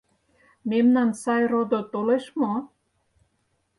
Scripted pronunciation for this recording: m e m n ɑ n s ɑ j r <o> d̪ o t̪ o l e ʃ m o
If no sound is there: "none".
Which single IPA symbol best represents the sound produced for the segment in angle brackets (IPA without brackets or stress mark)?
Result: o